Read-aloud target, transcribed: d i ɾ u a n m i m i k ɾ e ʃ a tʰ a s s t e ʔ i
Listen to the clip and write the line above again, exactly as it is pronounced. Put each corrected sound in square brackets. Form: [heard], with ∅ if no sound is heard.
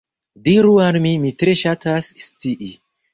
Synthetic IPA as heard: d i ɾ u a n m i m i [t] ɾ e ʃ a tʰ a s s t [i] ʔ i